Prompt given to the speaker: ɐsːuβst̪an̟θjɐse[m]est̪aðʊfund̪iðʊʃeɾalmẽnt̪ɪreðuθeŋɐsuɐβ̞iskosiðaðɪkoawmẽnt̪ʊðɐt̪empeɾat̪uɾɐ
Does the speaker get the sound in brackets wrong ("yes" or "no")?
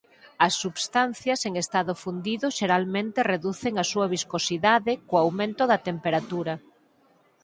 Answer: yes